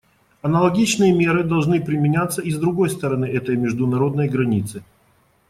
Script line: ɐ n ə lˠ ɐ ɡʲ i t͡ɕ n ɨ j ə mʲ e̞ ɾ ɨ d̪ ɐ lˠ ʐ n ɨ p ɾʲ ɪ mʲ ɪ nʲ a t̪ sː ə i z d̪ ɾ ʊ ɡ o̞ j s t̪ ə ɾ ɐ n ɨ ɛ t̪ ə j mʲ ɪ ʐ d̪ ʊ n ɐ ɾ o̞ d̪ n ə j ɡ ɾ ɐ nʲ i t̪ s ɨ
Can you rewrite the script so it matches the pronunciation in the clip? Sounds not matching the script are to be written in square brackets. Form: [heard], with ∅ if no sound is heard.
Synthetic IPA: ɐ n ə lˠ ɐ ɡʲ i t͡ɕ n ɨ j ə mʲ e̞ ɾ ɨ d̪ ɐ lˠ ʐ n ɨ p ɾʲ ɪ mʲ ɪ nʲ a t̪ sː ə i z d̪ ɾ ʊ ɡ o̞ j s t̪ ə ɾ ɐ n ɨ ɛ t̪ ə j mʲ ɪ ʐ d̪ ʊ n ɐ ɾ o̞ d̪ n ə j ɡ ɾ ɐ nʲ i t̪ s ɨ